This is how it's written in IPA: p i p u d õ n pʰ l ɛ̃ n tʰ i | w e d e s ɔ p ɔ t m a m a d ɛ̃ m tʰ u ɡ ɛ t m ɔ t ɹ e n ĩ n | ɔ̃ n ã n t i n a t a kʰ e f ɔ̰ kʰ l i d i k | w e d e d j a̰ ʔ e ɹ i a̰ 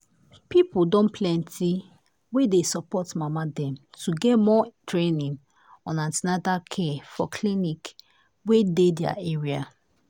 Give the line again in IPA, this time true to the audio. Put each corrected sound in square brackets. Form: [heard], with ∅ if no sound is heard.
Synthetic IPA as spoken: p i p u d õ n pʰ l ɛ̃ n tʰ i | w e d e s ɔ p ɔ t m a m a d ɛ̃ m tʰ u ɡ ɛ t m ɔ t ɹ e n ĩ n | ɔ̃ n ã n t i n a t a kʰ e f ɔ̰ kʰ l i [n] i k | w e d e d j a̰ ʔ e ɹ i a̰